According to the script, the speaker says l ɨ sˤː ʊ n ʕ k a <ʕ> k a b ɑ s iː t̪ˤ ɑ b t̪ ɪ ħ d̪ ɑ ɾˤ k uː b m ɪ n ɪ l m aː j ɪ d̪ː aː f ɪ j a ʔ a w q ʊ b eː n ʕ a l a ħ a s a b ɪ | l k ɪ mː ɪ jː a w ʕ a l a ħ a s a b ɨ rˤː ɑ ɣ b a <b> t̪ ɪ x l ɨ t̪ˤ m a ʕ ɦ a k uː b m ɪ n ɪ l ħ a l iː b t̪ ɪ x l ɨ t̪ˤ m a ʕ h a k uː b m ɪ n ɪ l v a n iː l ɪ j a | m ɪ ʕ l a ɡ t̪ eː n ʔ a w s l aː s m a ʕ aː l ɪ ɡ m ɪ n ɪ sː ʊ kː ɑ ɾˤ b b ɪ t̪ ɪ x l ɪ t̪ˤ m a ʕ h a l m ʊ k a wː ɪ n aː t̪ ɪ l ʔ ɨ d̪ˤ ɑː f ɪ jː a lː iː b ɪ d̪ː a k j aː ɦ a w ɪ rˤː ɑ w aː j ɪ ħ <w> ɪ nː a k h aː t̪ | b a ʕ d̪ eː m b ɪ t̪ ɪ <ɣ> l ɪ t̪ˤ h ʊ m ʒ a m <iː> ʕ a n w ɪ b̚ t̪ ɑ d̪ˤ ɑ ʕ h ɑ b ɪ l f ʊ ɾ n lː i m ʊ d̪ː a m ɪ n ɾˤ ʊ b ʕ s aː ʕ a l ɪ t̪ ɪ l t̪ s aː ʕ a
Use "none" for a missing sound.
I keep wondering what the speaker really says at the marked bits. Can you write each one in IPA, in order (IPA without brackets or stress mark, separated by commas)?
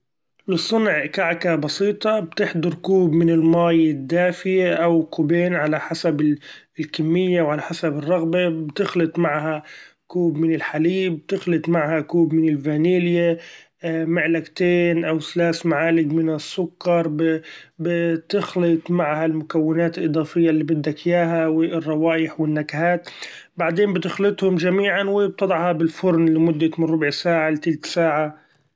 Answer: ʕ, b, w, x, iː